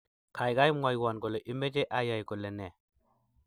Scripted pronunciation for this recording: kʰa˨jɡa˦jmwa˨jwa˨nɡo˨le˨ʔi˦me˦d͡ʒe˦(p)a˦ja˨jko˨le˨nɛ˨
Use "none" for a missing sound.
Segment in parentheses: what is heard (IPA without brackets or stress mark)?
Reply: ʔ